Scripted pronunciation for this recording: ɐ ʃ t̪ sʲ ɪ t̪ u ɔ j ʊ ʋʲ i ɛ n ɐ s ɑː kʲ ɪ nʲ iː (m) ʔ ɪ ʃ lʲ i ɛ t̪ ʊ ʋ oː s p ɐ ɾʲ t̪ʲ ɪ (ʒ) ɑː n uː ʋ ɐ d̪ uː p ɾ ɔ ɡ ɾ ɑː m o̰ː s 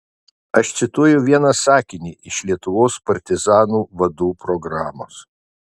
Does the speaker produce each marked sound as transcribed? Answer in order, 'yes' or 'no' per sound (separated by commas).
no, no